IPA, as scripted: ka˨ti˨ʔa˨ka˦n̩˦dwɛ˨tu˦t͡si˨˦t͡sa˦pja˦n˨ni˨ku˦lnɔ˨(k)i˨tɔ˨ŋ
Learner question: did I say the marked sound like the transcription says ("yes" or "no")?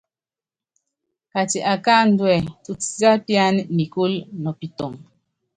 no